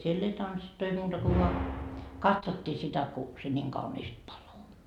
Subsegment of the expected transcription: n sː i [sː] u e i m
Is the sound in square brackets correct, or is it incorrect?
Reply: incorrect